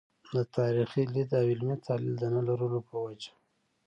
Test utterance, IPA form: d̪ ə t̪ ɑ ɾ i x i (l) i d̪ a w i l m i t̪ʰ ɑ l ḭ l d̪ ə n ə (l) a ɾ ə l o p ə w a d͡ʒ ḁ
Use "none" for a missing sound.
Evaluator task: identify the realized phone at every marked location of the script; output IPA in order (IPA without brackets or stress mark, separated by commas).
l, l